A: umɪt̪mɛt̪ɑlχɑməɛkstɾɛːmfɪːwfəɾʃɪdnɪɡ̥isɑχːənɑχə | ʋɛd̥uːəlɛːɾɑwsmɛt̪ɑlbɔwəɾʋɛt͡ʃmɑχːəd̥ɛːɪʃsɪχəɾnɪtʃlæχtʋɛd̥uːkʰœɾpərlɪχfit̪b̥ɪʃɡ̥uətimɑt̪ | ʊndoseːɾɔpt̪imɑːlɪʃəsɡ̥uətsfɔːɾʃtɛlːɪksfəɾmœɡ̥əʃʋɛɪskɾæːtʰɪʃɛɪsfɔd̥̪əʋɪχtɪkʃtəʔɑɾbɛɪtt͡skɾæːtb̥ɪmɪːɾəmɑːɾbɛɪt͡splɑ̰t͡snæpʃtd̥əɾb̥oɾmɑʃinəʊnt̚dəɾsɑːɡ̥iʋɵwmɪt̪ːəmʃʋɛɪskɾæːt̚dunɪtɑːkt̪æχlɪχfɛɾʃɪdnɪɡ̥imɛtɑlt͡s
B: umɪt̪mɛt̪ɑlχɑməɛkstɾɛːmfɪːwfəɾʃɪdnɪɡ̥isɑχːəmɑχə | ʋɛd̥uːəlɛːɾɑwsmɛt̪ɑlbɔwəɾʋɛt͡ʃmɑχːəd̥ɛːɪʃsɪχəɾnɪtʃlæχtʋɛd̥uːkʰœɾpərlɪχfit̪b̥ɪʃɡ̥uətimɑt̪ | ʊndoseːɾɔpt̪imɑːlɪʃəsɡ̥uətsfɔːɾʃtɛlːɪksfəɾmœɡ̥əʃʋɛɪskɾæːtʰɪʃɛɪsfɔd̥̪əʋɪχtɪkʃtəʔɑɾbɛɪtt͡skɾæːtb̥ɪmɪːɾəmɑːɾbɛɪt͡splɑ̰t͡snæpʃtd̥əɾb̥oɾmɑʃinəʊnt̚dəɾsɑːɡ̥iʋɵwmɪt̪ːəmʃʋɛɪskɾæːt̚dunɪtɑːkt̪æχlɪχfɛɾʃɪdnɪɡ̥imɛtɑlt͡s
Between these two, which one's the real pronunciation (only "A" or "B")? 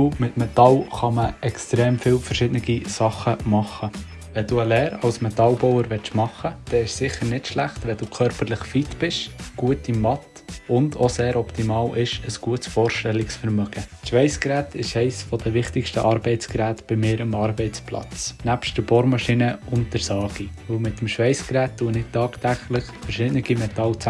B